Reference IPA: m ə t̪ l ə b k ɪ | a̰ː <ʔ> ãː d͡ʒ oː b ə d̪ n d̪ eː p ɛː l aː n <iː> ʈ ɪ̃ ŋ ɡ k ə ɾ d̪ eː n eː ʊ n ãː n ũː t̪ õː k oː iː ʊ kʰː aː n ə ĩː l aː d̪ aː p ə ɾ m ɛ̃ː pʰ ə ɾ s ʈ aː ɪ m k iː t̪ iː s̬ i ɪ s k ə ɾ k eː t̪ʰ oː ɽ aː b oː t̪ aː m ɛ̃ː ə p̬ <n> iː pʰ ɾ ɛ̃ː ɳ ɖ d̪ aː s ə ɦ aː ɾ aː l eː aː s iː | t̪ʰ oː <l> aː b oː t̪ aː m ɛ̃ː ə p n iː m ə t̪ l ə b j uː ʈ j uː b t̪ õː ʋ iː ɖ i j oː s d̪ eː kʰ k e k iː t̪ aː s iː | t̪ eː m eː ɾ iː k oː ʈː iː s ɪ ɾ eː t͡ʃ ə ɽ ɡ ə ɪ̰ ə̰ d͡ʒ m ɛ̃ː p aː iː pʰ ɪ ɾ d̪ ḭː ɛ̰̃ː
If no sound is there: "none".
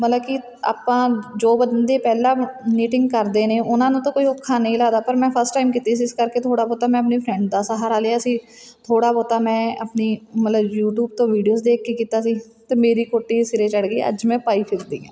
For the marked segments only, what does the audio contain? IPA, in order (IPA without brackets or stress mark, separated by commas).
p, iː, n, ɽ